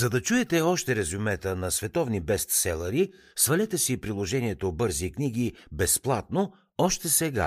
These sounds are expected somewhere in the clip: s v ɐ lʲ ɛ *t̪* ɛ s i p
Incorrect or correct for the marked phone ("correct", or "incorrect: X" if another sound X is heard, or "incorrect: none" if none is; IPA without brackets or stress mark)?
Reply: correct